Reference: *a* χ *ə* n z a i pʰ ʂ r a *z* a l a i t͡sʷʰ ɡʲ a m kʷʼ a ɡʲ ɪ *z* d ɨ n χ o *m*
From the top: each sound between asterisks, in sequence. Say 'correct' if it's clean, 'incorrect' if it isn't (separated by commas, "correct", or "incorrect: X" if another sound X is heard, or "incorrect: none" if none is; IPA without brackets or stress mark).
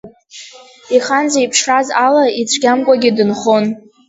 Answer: incorrect: i, incorrect: a, correct, incorrect: none, incorrect: n